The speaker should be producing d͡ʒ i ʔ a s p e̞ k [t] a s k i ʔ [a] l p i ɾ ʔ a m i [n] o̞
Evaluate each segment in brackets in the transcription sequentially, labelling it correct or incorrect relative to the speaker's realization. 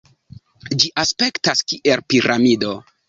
correct, incorrect: e, incorrect: d

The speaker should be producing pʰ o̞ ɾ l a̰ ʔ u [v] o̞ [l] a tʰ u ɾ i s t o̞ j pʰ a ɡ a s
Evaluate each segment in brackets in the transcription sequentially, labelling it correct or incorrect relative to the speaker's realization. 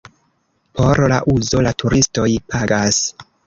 incorrect: z, correct

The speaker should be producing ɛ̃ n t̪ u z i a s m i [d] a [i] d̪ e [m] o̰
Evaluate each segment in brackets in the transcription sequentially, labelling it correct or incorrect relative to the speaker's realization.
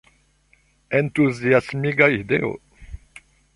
incorrect: ɡ, correct, incorrect: none

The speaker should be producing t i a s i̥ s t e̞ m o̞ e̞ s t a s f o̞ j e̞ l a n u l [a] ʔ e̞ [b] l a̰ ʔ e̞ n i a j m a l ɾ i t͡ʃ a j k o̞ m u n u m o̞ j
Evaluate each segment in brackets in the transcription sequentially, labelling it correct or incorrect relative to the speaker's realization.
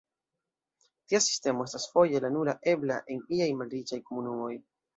correct, correct

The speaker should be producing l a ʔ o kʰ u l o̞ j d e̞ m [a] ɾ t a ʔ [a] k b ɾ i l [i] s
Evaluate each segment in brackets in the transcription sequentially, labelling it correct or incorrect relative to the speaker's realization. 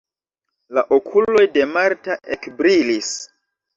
correct, incorrect: e, correct

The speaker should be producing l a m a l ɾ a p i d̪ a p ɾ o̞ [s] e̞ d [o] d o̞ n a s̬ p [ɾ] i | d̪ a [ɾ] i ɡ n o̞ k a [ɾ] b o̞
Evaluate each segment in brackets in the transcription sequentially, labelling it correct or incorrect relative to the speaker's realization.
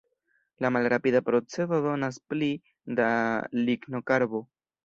incorrect: t͡s, correct, incorrect: l, incorrect: l, correct

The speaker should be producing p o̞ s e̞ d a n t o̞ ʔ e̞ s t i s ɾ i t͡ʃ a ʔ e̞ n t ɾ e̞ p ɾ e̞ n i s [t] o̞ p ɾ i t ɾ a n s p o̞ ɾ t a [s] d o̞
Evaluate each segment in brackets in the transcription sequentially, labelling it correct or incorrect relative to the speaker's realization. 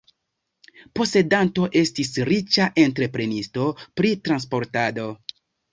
correct, incorrect: none

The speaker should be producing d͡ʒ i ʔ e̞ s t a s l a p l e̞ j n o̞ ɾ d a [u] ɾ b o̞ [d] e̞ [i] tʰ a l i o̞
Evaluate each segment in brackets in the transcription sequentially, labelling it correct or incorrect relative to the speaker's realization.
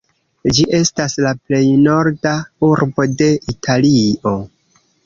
correct, correct, correct

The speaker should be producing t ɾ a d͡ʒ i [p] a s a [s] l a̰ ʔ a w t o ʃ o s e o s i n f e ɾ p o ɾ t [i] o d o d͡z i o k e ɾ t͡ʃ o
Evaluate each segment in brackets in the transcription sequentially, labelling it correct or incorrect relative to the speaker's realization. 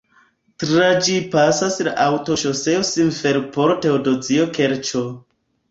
correct, correct, incorrect: e

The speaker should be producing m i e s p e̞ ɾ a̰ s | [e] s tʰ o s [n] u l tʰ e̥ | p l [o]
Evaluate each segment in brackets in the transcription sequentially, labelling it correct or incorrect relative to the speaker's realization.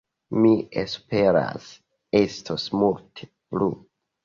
correct, incorrect: m, incorrect: u

